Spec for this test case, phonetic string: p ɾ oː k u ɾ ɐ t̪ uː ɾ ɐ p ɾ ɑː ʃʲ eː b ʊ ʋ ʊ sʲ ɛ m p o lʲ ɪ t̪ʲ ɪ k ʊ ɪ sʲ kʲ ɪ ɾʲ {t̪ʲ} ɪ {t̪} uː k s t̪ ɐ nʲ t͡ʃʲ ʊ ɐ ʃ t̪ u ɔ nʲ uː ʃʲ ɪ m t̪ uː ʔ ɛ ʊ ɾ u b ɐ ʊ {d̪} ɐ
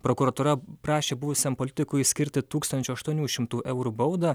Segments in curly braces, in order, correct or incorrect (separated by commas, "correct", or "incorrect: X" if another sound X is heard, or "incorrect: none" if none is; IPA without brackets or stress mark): correct, correct, correct